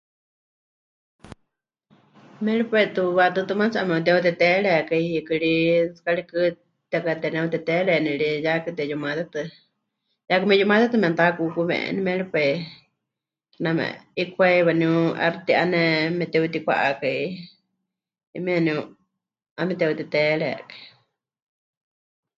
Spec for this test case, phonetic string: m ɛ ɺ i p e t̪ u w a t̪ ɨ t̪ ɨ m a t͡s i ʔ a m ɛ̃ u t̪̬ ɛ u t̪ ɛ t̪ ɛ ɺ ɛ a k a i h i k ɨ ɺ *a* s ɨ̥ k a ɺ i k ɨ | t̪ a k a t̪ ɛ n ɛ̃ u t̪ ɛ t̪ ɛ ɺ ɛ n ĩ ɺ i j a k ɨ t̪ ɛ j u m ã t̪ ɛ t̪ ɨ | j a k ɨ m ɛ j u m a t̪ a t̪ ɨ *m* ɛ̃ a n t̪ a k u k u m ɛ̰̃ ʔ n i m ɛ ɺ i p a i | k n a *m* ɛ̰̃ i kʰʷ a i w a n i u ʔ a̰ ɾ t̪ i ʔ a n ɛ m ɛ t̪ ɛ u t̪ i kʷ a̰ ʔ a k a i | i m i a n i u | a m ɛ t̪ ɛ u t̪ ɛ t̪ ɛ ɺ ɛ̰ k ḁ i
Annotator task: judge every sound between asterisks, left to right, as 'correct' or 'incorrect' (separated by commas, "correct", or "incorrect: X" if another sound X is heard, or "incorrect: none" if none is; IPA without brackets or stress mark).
incorrect: i, correct, correct